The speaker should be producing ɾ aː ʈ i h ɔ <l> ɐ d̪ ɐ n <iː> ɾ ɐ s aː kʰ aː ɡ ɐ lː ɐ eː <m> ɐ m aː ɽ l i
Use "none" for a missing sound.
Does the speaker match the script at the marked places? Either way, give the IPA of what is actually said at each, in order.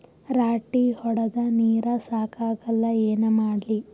ɽ, iː, n

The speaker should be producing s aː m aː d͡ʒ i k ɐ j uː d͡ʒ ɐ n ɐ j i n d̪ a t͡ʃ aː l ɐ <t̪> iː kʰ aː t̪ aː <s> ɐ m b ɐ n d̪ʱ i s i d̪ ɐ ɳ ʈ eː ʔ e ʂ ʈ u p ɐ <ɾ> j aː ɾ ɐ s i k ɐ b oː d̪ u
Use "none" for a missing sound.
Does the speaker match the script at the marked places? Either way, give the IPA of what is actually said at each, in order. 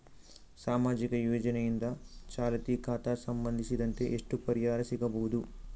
t̪, s, ɾ

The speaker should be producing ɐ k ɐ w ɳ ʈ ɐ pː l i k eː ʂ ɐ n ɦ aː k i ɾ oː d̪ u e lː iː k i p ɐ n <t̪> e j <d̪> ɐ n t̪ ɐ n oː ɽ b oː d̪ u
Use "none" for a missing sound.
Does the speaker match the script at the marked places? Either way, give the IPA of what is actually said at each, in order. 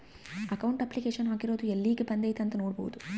d̪, t̪

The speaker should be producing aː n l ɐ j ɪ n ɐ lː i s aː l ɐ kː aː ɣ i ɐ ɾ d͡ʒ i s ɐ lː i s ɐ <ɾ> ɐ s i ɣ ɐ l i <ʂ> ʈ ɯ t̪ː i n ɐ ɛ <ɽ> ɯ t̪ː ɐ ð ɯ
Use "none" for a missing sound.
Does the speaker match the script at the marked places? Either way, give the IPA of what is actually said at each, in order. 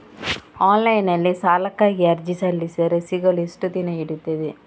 ɾ, s, ɽ

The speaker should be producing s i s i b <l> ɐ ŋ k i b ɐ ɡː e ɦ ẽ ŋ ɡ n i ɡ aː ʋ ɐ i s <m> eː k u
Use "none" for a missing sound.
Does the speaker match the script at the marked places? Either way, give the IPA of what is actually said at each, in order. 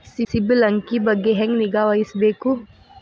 l, b

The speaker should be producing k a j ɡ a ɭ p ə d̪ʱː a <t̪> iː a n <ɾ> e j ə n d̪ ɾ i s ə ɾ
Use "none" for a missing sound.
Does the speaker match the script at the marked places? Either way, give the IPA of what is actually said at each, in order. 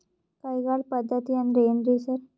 t̪, ɾ

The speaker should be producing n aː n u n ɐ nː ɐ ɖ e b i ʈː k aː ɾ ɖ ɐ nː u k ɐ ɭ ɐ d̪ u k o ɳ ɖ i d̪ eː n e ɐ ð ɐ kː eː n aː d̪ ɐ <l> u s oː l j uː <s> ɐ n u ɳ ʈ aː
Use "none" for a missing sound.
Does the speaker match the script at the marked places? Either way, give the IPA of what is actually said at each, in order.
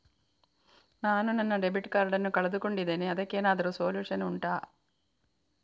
ɾ, ʂ

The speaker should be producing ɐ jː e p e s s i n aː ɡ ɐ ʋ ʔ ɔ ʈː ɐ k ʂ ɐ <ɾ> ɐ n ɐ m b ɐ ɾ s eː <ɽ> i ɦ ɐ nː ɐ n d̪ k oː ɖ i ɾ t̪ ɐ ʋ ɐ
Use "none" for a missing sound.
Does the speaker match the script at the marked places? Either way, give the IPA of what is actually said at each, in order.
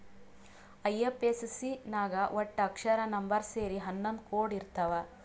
ɾ, ɾ

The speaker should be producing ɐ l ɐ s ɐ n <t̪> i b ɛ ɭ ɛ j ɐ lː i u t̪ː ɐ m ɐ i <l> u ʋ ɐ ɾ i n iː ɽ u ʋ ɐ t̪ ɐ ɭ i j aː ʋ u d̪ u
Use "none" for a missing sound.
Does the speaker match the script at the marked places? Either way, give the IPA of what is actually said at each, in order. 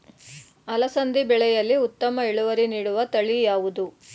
d̪, ɭ

